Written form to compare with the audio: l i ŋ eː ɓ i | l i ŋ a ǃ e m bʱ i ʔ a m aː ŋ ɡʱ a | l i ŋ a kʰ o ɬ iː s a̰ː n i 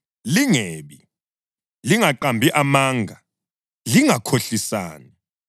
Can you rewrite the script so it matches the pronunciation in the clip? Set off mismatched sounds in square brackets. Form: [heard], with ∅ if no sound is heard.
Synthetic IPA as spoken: l i ŋ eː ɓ i | l i ŋ a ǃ [a] m bʱ i ʔ a m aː ŋ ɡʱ a | l i ŋ a kʰ o ɬ [i] s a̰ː n i